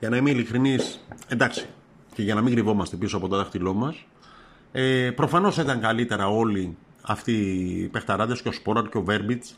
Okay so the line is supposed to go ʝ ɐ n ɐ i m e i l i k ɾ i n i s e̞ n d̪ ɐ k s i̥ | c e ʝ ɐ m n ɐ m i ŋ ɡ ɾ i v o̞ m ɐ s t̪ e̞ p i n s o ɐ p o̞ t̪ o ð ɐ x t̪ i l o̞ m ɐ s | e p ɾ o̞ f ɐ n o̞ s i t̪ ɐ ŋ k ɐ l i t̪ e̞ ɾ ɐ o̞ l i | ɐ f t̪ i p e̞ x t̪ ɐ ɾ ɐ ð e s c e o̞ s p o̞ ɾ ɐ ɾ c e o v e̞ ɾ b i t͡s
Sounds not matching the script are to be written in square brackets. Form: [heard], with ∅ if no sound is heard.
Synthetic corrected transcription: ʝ ɐ n ɐ i m e i l i k ɾ i n i s e̞ n d̪ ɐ k s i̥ | c e ʝ ɐ [∅] n ɐ m i ŋ ɡ ɾ i v o̞ m ɐ s t̪ e̞ p i [∅] s o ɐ p o̞ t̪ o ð ɐ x t̪ i l o̞ m ɐ s | e p ɾ o̞ f ɐ n o̞ s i t̪ ɐ ŋ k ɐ l i t̪ e̞ ɾ ɐ o̞ l i | ɐ f t̪ i p e̞ x t̪ ɐ ɾ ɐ ð e s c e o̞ s p o̞ ɾ ɐ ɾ c e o v e̞ ɾ b i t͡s